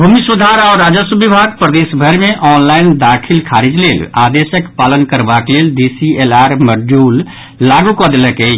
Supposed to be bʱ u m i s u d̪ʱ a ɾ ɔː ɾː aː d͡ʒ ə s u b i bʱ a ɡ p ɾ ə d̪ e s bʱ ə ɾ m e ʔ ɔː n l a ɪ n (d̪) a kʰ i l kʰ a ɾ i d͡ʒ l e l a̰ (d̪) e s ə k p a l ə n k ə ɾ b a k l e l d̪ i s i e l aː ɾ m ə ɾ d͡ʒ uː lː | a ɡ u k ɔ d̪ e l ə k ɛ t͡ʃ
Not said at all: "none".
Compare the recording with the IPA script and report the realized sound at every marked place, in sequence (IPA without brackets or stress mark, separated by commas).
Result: d̪, d̪